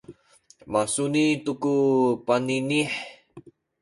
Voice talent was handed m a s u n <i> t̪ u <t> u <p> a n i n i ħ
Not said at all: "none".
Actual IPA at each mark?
i, k, p

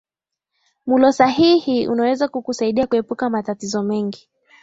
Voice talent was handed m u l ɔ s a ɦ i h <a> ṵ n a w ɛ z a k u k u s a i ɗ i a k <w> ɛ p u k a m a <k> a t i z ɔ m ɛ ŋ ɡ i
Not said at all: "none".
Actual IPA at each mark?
i, u, t

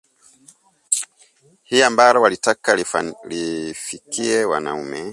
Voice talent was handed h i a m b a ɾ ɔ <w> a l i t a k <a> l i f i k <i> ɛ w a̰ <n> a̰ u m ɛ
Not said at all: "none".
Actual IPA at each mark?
w, a, i, n

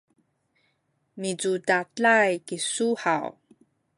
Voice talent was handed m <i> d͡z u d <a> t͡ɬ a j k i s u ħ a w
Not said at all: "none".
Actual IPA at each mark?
i, a

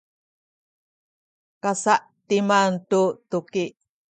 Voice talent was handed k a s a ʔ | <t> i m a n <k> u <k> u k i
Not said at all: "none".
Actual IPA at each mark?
t, t, t

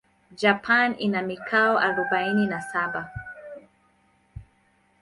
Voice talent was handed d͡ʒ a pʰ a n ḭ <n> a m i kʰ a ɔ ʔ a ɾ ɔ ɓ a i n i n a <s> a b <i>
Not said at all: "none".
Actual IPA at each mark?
n, s, a

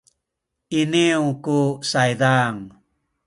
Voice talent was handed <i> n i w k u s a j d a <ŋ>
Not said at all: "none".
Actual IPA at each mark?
i, ŋ

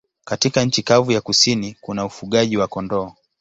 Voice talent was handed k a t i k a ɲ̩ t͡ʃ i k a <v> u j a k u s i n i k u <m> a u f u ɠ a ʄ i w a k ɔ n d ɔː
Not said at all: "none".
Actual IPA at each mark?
v, n

